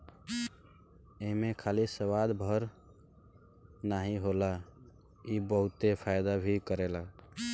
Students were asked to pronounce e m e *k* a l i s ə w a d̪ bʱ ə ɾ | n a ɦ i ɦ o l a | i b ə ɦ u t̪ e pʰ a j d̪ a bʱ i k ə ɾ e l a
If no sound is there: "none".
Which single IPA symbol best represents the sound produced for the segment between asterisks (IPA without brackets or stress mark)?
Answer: kʰ